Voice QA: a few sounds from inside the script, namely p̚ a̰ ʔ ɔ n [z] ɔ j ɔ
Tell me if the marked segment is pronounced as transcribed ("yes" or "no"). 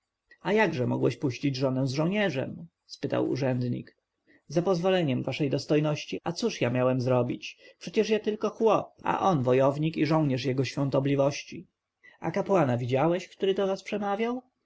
no